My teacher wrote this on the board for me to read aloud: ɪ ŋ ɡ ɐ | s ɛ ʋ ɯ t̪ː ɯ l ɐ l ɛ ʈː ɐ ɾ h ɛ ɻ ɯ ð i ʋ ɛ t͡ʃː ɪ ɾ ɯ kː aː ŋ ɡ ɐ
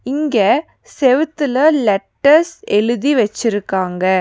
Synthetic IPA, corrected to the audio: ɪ ŋ ɡ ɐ | s ɛ ʋ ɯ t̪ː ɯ l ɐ l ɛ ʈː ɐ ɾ s ɛ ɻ ɯ ð i ʋ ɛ t͡ʃː ɪ ɾ ɯ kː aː ŋ ɡ ɐ